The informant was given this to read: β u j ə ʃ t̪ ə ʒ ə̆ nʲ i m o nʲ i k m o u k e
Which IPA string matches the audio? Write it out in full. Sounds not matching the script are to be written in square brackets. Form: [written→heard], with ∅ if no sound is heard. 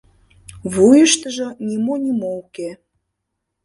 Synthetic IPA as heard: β u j ə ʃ t̪ ə ʒ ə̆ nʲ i m o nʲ i [k→∅] m o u k e